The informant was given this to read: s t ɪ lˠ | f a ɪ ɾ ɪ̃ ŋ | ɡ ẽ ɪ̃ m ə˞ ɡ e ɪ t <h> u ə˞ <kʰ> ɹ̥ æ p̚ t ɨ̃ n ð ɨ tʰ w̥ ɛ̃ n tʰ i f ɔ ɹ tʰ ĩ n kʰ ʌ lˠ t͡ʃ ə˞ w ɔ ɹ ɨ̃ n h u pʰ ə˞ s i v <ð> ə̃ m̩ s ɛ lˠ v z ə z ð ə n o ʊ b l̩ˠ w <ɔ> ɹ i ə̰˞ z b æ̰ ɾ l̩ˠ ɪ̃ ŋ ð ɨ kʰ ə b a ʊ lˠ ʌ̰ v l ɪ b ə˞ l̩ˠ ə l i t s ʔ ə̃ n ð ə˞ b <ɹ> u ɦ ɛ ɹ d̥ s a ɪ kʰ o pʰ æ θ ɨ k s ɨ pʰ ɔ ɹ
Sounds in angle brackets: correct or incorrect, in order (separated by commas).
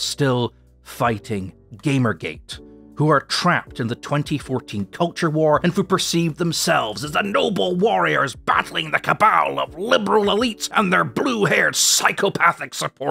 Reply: correct, incorrect, correct, correct, incorrect